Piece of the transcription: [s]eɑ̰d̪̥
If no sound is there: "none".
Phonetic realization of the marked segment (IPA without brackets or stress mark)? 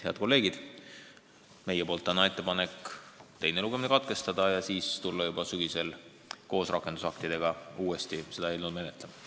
h